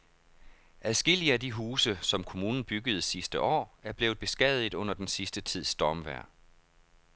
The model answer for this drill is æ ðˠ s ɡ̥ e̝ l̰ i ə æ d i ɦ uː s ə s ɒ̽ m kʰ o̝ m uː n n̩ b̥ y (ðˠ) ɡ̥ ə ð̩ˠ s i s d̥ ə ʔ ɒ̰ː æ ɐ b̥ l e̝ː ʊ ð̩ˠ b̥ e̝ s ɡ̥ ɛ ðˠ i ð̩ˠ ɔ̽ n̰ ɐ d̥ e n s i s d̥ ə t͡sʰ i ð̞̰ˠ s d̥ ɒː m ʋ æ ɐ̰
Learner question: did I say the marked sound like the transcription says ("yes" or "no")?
no